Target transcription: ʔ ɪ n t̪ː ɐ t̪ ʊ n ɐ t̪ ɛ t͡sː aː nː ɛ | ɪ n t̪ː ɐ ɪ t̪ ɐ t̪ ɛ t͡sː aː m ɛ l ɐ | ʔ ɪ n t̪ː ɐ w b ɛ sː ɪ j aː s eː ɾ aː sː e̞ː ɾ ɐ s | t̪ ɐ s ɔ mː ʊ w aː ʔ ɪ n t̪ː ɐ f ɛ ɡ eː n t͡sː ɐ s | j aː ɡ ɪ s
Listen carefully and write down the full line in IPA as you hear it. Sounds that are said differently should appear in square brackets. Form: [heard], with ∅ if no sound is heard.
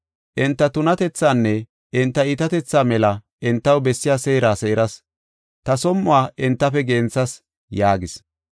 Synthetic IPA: ʔ ɪ n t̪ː ɐ t̪ ʊ n ɐ t̪ ɛ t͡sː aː nː ɛ | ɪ n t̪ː ɐ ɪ t̪ ɐ t̪ ɛ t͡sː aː m ɛ l ɐ | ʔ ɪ n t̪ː ɐ w b ɛ sː ɪ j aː s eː ɾ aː [s] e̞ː ɾ ɐ s | t̪ ɐ s ɔ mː ʊ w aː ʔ ɪ n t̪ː ɐ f ɛ ɡ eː n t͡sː ɐ s | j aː ɡ ɪ s